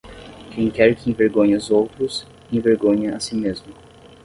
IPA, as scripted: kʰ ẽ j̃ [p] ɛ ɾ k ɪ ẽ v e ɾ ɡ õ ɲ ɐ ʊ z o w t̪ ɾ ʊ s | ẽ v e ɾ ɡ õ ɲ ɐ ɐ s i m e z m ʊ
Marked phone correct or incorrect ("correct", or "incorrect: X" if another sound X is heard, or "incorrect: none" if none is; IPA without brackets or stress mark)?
incorrect: k